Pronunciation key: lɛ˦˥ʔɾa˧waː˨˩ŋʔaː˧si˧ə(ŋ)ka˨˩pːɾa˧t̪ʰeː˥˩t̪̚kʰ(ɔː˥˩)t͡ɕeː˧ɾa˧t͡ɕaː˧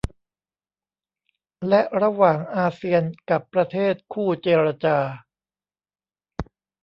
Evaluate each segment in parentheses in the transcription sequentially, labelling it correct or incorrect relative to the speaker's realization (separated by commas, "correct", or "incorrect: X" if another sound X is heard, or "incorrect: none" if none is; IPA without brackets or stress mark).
incorrect: n, incorrect: uː˥˩